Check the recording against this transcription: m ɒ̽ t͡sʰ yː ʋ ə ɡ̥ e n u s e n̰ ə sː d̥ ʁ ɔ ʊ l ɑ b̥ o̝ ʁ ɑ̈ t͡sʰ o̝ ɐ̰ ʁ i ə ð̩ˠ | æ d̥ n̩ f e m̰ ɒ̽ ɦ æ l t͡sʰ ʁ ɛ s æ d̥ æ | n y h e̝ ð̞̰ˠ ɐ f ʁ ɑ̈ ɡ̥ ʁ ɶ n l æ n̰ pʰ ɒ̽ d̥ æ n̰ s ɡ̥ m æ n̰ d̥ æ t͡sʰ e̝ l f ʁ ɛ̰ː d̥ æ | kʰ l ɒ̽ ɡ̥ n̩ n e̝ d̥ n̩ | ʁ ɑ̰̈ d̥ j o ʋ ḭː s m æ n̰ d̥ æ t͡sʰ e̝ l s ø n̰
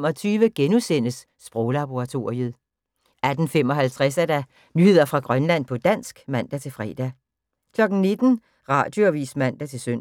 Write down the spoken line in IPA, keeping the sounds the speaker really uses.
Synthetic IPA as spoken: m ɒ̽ t͡sʰ yː ʋ ə ɡ̥ e n u s e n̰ ə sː b̥ ʁ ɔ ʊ l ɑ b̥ o̝ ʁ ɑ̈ t͡sʰ o̝ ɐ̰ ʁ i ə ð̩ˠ | æ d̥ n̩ f e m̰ ɒ̽ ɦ æ l t͡sʰ ʁ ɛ s æ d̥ æ | n y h e̝ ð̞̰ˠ ɐ f ʁ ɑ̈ ɡ̥ ʁ ɶ n l æ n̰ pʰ ɒ̽ d̥ æ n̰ s ɡ̥ m æ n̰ d̥ æ t͡sʰ e̝ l f ʁ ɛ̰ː d̥ æ | kʰ l ɒ̽ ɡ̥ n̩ n e̝ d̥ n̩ | ʁ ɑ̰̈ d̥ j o ʋ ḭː s m æ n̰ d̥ æ t͡sʰ e̝ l s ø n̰